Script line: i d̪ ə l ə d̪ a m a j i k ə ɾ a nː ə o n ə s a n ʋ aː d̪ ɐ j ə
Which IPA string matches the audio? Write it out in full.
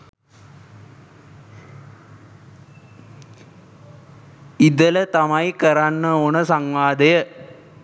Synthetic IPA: i d̪ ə l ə t̪ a m a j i k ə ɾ a nː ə o n ə s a ŋ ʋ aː d̪ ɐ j ə